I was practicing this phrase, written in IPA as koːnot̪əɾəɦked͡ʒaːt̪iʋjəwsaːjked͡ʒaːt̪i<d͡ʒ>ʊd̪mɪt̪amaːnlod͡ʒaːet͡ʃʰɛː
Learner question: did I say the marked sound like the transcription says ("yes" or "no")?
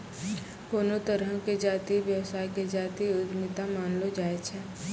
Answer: no